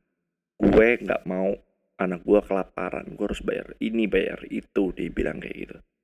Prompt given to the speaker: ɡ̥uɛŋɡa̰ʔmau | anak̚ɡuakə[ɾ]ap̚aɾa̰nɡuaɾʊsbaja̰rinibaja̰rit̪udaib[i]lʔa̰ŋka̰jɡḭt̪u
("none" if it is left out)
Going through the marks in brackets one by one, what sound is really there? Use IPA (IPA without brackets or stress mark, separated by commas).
l, i